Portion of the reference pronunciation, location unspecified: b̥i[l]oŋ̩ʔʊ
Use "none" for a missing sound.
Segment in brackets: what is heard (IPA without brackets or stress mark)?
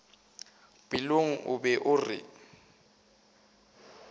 l